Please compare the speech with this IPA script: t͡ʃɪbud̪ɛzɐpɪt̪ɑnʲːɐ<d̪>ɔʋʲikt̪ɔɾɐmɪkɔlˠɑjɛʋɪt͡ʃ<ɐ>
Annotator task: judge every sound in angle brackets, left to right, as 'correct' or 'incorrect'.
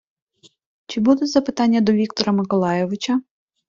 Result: correct, correct

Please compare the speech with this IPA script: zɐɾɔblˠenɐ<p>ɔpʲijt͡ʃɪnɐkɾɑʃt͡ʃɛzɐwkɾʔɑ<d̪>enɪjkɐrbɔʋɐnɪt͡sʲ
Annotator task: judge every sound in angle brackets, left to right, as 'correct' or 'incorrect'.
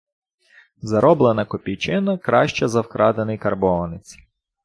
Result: incorrect, correct

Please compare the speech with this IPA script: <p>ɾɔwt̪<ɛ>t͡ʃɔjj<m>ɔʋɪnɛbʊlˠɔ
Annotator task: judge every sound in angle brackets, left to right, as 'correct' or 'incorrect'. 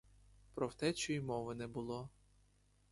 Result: correct, correct, correct

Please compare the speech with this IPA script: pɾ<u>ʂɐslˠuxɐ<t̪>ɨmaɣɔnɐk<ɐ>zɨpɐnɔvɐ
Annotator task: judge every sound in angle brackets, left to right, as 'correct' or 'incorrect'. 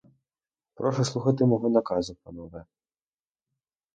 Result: incorrect, correct, incorrect

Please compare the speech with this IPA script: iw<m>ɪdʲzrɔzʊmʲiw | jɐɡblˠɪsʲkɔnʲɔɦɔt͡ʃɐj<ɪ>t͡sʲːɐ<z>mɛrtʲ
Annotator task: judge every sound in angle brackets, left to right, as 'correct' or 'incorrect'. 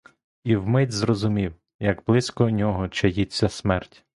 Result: correct, incorrect, incorrect

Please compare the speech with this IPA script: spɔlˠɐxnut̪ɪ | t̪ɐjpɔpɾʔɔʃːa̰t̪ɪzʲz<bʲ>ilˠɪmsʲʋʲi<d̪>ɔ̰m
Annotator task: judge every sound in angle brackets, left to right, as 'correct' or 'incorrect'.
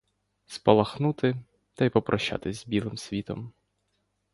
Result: correct, incorrect

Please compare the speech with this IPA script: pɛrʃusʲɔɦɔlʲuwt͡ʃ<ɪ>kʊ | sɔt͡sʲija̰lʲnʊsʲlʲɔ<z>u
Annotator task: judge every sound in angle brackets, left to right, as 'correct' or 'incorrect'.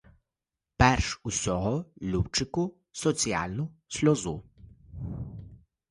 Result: correct, correct

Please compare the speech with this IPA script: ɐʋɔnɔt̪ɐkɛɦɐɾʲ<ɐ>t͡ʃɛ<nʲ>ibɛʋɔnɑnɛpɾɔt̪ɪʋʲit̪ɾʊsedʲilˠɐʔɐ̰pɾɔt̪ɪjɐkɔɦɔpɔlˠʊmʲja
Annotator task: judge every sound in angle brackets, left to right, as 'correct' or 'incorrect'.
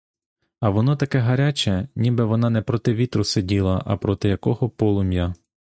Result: incorrect, correct

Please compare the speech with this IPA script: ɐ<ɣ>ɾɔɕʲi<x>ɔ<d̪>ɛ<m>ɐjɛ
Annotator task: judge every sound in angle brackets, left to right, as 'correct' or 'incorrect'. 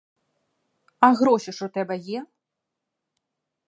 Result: correct, incorrect, incorrect, incorrect

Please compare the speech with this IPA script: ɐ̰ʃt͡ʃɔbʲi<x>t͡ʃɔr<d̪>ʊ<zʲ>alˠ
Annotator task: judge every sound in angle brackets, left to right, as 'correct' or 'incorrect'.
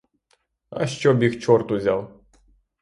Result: correct, incorrect, correct

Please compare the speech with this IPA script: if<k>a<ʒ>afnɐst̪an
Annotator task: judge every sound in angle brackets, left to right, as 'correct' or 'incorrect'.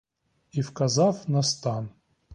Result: correct, incorrect

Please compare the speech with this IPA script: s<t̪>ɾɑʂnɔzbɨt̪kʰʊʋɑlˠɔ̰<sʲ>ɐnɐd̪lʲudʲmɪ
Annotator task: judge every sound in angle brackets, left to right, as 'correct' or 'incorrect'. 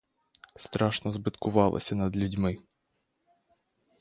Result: correct, correct

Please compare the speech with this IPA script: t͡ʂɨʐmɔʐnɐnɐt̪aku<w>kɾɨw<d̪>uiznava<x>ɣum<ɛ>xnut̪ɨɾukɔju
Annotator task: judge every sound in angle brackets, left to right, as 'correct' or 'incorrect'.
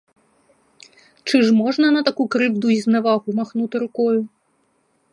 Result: incorrect, correct, incorrect, incorrect

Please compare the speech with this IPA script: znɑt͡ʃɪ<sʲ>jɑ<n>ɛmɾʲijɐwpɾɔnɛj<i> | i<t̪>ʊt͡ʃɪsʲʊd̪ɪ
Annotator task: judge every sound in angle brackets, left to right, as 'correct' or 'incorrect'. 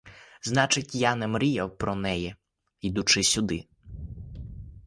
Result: incorrect, correct, incorrect, incorrect

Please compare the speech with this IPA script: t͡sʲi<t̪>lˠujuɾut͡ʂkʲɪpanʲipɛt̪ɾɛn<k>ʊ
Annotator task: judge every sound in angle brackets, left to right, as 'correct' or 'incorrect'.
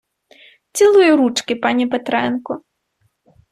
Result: incorrect, correct

